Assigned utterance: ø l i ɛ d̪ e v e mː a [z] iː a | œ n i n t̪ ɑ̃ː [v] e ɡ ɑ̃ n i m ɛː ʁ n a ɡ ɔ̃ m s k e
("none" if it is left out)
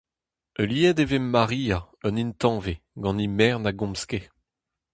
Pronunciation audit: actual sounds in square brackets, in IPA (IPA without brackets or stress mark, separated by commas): ʁ, v